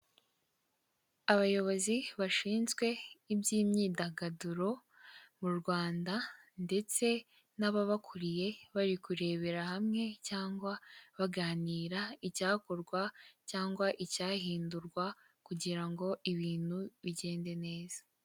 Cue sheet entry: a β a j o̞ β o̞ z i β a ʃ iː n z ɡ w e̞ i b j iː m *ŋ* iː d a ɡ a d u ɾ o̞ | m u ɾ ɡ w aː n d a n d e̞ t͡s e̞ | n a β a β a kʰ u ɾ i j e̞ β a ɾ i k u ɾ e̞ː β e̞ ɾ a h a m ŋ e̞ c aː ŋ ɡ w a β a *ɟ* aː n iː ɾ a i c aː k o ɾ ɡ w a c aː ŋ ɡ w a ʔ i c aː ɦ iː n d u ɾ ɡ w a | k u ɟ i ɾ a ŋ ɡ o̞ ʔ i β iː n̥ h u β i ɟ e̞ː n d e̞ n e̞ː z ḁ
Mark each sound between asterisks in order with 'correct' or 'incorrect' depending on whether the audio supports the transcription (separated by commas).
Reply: incorrect, incorrect